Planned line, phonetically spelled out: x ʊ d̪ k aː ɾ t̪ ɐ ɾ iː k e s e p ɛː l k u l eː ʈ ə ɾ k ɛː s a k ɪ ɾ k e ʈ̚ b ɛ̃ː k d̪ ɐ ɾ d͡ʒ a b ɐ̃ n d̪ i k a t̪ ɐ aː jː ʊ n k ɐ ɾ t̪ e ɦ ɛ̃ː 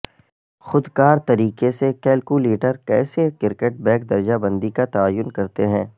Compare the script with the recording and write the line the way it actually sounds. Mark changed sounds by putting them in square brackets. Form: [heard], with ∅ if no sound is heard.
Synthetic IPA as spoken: x ʊ d̪ k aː ɾ t̪ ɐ ɾ iː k e s e [k] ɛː l k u l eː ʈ ə ɾ k ɛː s [e] k ɪ ɾ k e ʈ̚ b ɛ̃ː k d̪ ɐ ɾ d͡ʒ a b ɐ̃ n d̪ i k a t̪ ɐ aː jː ʊ n k ɐ ɾ t̪ e ɦ ɛ̃ː